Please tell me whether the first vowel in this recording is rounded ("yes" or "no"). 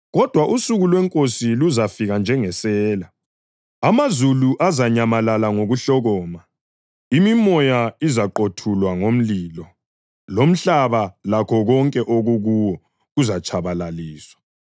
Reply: yes